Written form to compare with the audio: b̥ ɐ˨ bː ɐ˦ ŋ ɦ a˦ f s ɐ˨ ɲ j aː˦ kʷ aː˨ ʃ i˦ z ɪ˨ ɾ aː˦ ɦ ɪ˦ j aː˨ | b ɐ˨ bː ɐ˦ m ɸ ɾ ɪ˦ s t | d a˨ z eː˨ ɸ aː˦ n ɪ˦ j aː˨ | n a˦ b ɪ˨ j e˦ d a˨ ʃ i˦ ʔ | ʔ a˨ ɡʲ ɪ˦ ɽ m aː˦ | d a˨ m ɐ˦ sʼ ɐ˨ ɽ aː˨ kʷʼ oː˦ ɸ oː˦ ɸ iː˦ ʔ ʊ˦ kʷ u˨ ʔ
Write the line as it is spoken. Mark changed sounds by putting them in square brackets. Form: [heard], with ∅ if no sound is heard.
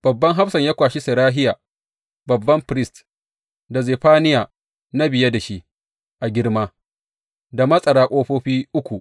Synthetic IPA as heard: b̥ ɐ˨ bː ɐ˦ ŋ ɦ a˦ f s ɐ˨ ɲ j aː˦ kʷ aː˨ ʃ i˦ [s] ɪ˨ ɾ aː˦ ɦ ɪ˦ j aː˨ | b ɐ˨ bː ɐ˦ m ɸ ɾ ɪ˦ s t | d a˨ z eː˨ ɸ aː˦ n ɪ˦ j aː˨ | n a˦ b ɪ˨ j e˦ d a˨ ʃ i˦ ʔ | ʔ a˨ ɡʲ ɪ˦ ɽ m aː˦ | d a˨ m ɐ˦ sʼ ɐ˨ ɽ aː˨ kʷʼ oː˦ ɸ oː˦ ɸ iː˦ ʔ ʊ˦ kʷ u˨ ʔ